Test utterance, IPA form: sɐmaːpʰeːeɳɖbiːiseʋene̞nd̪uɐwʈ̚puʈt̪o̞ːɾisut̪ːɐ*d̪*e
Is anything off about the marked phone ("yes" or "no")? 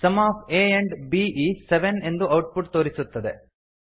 no